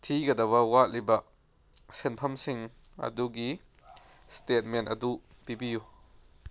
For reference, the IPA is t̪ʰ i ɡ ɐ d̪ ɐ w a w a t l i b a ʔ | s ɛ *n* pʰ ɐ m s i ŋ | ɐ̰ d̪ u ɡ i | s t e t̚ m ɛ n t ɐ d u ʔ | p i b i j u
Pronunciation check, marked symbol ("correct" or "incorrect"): correct